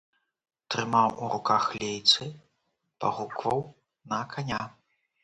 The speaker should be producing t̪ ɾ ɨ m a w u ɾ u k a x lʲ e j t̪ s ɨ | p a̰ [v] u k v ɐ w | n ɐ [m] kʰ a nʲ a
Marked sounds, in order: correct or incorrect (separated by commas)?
incorrect, incorrect